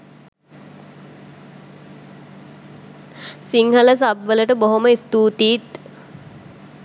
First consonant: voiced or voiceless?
voiceless